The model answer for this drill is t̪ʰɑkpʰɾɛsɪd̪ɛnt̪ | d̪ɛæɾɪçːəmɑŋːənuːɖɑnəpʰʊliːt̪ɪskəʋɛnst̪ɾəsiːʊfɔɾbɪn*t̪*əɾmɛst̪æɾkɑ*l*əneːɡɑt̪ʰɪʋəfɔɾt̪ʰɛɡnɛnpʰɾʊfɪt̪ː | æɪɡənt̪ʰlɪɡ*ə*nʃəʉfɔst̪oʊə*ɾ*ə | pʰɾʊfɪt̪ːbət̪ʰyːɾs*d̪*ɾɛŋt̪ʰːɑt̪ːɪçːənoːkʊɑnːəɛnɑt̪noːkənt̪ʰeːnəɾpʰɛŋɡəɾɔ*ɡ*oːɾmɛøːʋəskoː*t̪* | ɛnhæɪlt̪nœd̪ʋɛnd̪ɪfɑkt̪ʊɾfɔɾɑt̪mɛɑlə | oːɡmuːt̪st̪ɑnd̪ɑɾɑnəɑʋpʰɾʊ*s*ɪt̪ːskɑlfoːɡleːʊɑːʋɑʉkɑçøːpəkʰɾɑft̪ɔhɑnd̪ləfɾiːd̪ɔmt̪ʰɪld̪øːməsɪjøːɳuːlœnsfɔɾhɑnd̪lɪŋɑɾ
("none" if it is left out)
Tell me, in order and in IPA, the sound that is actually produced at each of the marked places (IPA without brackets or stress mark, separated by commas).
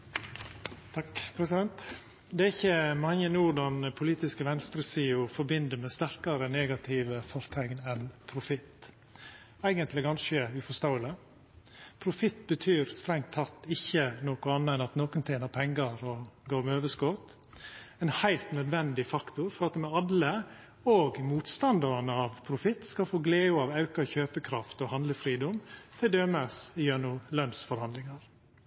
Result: d̪, ɾ, ɑ, l, t̪, ɡ, t̪, f